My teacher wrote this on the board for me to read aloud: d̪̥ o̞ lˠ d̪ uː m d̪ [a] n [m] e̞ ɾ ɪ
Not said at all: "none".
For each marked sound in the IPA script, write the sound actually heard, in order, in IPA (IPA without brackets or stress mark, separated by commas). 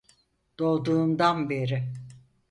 a, b